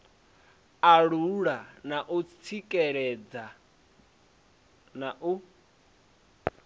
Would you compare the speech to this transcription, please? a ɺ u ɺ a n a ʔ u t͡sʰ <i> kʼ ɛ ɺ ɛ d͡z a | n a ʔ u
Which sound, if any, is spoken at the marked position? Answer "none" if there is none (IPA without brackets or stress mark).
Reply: i